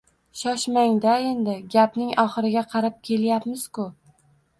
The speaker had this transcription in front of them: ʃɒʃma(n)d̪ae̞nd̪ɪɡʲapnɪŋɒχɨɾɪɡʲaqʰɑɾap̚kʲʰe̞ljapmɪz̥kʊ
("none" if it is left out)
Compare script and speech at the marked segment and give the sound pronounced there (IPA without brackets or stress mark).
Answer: ŋ